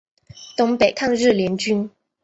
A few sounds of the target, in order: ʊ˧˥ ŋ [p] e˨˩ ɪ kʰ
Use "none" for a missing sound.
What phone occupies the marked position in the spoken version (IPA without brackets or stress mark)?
p